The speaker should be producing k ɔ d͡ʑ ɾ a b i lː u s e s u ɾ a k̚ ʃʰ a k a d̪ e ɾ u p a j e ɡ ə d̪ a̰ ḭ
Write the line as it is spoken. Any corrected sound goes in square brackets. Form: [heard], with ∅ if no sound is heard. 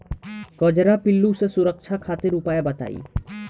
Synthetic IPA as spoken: k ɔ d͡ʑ ɾ a [p] i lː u s e s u ɾ [ə] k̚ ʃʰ a [kʰ] a [t̪] e ɾ u p a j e [b] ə [t̪] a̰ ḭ